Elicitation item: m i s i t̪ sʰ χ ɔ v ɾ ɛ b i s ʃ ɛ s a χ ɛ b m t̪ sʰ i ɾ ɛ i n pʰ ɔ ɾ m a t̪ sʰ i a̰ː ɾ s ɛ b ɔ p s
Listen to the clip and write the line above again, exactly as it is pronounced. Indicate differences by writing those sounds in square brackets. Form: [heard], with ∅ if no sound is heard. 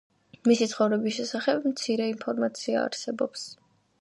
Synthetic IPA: m i s i t̪ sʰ χ ɔ v ɾ ɛ b i s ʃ ɛ s a χ ɛ b m t̪ sʰ i ɾ ɛ i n pʰ ɔ ɾ m a t̪ sʰ i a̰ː ɾ s ɛ b ɔ p s